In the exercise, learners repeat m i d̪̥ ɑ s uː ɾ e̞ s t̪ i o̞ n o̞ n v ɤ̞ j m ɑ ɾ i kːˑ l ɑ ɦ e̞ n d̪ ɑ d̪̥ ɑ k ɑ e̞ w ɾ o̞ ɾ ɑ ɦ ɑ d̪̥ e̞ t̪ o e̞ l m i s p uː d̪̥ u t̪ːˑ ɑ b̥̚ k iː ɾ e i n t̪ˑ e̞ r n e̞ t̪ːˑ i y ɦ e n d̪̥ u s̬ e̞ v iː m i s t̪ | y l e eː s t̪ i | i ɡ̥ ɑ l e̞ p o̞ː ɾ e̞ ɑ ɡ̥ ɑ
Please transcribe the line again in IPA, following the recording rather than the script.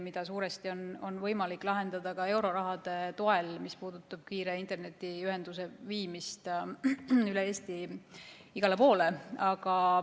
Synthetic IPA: m i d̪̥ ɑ s uː ɾ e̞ s t̪ i o̞ n o̞ n v ɤ̞ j m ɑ l i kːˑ l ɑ ɦ e̞ n d̪ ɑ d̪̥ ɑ k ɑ e̞ w ɾ o̞ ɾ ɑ ɦ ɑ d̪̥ e̞ t̪ o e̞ l m i s p uː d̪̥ u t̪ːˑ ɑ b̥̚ k iː ɾ e i n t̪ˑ e̞ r n e̞ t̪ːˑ i y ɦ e n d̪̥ u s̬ e̞ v iː m i s t̪ | y l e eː s t̪ i | i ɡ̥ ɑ l e̞ p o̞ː l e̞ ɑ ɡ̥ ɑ